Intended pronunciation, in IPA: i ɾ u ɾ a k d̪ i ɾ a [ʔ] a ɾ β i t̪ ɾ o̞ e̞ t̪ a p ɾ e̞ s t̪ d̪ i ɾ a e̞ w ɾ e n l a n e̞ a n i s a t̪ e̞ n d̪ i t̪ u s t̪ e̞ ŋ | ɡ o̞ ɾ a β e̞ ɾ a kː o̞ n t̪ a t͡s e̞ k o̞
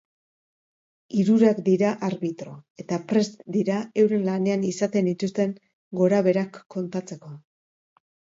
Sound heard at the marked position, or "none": ʔ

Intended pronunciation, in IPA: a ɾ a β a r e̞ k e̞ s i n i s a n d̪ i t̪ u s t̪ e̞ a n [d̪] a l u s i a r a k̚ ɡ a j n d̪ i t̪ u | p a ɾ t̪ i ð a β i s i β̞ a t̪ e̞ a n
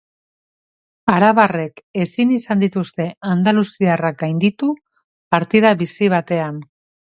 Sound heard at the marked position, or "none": d̪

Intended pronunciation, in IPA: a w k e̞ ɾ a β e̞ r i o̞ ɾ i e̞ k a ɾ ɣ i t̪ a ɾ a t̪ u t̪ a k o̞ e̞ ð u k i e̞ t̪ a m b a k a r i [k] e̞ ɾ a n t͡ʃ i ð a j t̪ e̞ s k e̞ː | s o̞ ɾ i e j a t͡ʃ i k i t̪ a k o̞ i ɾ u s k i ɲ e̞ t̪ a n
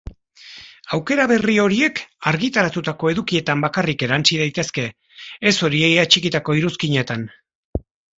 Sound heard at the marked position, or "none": k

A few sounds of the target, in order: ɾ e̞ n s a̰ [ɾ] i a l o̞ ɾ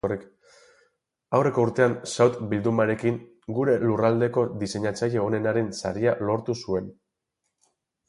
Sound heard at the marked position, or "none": ɾ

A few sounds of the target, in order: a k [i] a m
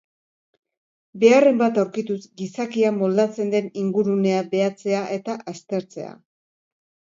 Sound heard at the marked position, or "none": i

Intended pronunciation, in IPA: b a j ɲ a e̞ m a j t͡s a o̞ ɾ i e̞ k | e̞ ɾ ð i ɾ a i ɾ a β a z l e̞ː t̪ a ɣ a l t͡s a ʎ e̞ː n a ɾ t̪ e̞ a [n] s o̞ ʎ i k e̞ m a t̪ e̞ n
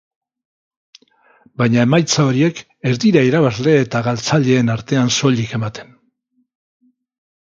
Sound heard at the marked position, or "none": n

